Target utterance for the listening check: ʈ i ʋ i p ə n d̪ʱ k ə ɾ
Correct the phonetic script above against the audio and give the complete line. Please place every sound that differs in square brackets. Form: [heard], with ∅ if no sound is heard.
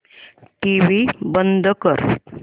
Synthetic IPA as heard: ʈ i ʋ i [b] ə n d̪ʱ k ə ɾ